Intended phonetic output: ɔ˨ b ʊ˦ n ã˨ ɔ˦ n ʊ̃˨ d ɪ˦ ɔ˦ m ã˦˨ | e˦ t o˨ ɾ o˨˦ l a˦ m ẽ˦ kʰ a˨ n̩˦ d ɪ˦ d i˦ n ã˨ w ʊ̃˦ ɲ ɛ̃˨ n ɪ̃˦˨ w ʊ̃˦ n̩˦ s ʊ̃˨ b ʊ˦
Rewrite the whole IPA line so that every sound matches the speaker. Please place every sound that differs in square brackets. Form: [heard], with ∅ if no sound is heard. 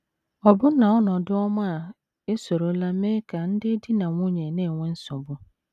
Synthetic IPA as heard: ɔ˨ b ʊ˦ n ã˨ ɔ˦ n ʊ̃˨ d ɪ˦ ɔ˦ m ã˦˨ | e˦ [s] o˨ ɾ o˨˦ l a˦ m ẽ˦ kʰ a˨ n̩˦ d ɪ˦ d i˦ n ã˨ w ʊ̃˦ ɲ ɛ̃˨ n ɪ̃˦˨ w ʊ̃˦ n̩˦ s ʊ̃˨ b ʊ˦